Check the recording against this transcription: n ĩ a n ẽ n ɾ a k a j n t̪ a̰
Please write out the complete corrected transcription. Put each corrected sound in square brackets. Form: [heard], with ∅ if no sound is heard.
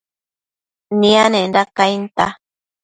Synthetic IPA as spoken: n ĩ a n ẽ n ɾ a k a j n t̪ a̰